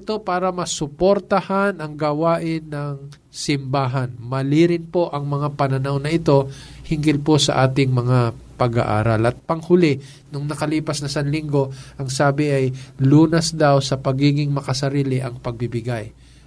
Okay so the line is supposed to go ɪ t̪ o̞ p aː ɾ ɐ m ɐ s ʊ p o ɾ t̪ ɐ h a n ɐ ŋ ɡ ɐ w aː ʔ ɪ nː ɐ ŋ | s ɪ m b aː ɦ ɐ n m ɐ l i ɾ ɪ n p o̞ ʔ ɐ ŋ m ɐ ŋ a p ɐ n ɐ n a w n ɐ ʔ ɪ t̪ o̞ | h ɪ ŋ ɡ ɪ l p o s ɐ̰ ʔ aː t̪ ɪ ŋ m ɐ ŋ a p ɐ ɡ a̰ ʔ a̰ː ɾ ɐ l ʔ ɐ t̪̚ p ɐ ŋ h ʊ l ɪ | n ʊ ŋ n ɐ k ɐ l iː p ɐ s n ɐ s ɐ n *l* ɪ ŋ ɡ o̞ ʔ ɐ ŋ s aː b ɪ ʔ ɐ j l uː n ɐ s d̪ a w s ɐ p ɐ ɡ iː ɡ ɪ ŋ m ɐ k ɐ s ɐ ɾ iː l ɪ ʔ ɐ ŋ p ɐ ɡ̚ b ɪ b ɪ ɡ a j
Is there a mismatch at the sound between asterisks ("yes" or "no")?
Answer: no